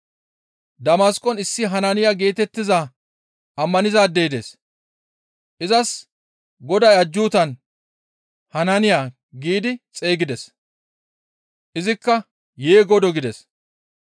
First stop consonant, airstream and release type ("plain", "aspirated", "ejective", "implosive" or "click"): plain